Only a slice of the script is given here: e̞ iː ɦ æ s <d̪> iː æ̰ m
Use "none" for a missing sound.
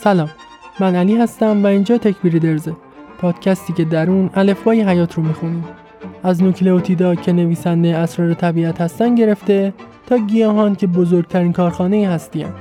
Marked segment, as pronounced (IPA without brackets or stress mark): t̪